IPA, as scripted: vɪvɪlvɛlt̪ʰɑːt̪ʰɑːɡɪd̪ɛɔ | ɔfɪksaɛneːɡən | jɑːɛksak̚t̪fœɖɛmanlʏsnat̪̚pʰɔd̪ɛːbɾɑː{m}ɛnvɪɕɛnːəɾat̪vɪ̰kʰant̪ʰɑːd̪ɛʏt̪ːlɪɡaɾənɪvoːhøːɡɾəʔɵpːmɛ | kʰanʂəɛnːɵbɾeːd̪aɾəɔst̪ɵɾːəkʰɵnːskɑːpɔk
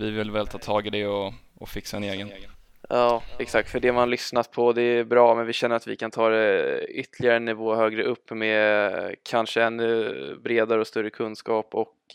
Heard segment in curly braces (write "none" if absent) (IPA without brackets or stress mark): m